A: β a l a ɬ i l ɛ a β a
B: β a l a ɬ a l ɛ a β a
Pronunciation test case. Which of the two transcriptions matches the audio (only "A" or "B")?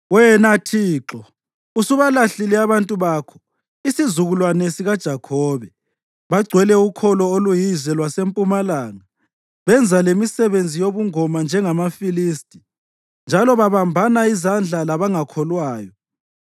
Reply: A